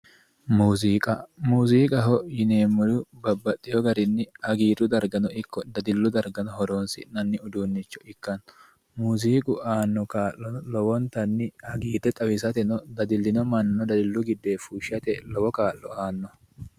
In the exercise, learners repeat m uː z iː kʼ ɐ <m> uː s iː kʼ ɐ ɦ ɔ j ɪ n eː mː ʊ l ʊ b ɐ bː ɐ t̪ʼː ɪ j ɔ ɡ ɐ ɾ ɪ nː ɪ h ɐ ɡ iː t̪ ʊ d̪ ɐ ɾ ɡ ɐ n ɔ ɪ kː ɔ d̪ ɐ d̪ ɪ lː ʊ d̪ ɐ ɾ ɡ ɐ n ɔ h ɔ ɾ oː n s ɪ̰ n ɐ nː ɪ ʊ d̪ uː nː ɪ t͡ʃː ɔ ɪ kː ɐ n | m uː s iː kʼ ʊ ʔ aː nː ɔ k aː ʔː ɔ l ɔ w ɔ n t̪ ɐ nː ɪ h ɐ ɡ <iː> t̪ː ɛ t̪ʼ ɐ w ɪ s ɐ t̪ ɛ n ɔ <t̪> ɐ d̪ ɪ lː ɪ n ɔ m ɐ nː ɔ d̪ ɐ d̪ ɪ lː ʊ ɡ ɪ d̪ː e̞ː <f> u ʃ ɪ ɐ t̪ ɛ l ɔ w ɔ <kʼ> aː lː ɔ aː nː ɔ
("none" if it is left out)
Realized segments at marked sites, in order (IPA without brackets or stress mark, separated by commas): m, iː, d̪, f, k